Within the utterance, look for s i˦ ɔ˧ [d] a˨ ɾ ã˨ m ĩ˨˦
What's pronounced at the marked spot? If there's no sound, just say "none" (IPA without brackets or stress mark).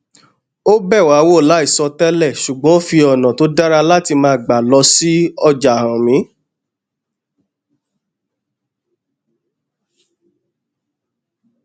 d͡ʒ